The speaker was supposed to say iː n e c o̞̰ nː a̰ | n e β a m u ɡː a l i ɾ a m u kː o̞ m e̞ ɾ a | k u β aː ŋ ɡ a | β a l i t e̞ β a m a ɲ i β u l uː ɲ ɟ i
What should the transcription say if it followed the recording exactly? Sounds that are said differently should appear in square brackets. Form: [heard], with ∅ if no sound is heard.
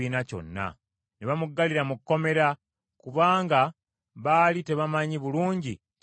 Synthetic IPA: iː n [a] c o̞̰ nː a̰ | n e β a m u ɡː a l i ɾ a m u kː o̞ m e̞ ɾ a | k u β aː ŋ ɡ a | β a l i t e̞ β a m a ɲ i β u l uː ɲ ɟ i